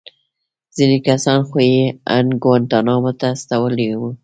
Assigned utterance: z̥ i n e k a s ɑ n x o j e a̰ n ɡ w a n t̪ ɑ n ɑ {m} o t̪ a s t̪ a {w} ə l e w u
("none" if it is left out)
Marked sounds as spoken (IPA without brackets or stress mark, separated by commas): m, w